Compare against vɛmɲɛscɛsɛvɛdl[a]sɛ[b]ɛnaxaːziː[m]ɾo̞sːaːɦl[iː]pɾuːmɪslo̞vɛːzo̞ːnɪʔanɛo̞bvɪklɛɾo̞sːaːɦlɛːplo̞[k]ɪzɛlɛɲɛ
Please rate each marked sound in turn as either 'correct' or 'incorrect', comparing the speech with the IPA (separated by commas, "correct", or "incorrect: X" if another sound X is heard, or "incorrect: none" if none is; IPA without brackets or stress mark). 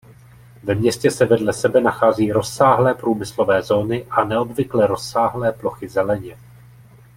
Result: incorrect: ɛ, correct, incorrect: none, incorrect: ɛː, incorrect: x